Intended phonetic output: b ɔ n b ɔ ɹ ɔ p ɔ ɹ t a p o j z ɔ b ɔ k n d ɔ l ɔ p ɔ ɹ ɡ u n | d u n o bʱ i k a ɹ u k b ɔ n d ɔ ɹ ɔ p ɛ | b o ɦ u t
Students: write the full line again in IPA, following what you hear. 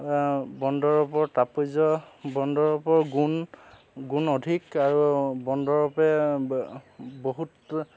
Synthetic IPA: b ɔ n d ɔ ɹ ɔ p ɔ ɹ t a p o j z ɔ b ɔ n d ɔ ɹ ɔ p ɔ ɹ ɡ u n | ɡ u n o dʱ i k a ɹ u b ɔ n d ɔ ɹ ɔ p ɛ | b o ɦ u t